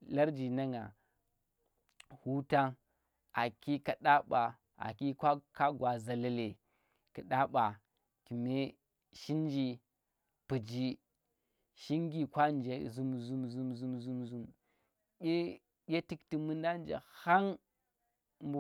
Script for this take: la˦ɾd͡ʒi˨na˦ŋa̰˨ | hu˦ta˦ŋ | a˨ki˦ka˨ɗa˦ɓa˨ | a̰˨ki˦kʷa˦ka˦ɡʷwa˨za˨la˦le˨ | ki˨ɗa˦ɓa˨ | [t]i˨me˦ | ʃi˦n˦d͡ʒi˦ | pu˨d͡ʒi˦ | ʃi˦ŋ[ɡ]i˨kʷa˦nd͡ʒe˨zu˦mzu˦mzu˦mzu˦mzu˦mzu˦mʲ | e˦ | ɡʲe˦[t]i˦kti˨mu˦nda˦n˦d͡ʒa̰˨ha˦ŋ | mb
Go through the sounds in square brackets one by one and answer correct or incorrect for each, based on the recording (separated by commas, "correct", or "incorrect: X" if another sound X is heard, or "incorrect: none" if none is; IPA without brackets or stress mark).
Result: incorrect: k, correct, correct